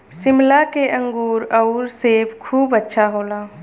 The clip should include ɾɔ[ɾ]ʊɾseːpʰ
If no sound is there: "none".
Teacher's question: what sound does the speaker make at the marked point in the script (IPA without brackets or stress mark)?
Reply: none